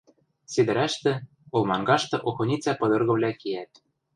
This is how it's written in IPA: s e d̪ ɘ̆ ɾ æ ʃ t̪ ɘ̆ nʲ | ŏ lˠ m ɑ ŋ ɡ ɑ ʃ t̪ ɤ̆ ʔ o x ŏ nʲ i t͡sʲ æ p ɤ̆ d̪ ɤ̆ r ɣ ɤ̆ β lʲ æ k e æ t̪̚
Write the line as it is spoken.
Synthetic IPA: s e d̪ ɘ̆ ɾ æ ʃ t̪ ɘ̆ | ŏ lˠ m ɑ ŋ ɡ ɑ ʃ t̪ ɤ̆ ʔ o x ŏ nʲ i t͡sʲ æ p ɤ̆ d̪ ɤ̆ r ɣ ɤ̆ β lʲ æ k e æ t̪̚